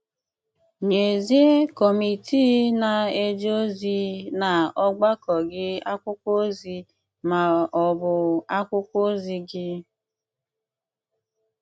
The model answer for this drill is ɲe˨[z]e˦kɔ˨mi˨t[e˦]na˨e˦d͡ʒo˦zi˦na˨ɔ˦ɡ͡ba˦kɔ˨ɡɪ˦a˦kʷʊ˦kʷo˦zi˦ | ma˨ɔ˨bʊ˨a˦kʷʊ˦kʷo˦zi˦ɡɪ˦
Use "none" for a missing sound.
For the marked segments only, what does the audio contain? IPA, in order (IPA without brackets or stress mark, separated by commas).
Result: z, i˦